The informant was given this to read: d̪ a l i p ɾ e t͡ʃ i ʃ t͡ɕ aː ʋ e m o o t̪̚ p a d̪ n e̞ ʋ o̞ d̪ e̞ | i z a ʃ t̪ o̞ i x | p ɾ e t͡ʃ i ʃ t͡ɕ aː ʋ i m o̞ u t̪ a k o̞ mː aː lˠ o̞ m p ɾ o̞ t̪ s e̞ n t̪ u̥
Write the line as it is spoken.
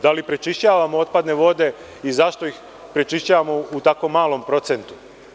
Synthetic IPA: d̪ a l i p ɾ e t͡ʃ i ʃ t͡ɕ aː ʋ a m o o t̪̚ p a d̪ n e̞ ʋ o̞ d̪ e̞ | i z a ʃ t̪ o̞ i x | p ɾ e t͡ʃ i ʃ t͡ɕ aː ʋ a m o̞ u t̪ a k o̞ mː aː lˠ o̞ m p ɾ o̞ t̪ s e̞ n t̪ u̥